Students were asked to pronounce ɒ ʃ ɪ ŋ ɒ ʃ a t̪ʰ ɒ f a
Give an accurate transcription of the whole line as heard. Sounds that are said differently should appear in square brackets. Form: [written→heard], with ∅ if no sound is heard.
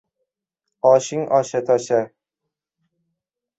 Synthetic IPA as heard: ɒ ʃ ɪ ŋ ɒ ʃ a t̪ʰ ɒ [f→ʃ] a